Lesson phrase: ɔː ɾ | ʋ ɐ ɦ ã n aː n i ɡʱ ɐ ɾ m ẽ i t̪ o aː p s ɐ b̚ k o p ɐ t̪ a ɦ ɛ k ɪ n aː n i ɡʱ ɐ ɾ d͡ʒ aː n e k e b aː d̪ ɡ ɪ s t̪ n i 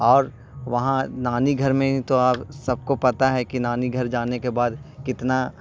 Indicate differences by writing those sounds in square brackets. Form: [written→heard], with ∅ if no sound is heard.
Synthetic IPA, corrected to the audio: ɔː ɾ | ʋ ɐ ɦ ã n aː n i ɡʱ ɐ ɾ m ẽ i t̪ o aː p s ɐ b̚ k o p ɐ t̪ a ɦ ɛ k [ɪ→i] n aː n i ɡʱ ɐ ɾ d͡ʒ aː n e k e b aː d̪ [ɡ→k] ɪ [s→∅] t̪ n [i→a]